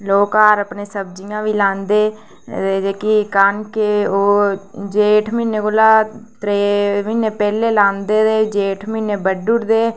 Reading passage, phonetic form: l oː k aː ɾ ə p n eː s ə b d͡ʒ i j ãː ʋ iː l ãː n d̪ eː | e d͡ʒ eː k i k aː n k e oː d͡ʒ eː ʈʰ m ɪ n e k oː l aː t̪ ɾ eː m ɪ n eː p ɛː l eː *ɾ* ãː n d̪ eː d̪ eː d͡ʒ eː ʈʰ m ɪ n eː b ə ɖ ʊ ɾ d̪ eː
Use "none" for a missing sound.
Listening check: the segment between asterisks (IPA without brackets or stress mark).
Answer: l